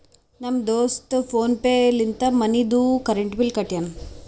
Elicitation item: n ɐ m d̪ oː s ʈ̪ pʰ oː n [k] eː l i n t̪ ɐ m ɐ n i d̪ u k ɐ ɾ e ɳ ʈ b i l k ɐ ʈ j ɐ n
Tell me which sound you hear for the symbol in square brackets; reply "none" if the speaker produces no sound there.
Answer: p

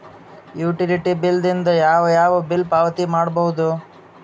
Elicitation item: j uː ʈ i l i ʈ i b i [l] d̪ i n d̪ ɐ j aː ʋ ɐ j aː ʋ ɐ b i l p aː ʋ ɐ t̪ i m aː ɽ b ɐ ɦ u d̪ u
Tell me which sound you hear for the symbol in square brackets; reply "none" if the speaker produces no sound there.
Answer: l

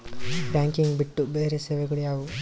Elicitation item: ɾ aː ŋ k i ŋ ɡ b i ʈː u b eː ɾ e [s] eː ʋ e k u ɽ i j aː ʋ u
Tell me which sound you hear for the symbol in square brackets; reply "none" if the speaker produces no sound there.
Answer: s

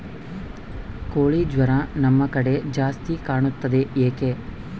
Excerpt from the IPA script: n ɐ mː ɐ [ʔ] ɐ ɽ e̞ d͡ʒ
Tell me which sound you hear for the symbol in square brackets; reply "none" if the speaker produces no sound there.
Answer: k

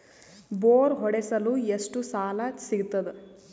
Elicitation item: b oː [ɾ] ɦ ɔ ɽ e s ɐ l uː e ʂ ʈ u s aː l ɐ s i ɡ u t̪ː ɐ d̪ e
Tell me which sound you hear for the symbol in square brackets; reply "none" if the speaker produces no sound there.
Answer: ɾ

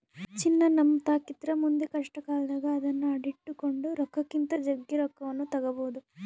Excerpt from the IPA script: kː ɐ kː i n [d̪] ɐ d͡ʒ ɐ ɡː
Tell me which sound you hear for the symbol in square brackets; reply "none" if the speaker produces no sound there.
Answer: t̪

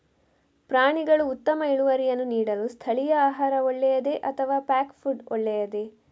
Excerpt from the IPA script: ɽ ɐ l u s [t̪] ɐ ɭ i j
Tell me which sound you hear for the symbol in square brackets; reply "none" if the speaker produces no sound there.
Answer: t̪ʰ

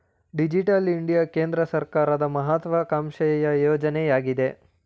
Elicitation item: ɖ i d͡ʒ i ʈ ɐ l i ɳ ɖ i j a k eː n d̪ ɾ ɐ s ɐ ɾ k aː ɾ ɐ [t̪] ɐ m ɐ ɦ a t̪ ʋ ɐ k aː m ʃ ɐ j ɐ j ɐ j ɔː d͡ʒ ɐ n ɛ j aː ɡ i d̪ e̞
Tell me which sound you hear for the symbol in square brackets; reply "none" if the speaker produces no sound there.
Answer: d̪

